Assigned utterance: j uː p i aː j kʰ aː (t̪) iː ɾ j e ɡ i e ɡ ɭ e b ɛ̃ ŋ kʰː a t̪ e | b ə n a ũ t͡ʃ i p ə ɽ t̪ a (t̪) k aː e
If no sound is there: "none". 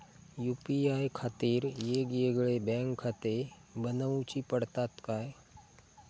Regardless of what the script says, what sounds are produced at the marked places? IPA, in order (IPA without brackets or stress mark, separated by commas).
t̪, t̪